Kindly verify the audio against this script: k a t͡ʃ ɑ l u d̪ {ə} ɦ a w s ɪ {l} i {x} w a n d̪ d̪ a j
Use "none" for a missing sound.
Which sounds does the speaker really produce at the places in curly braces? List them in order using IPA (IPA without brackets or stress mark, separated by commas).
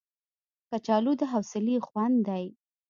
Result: ə, l, x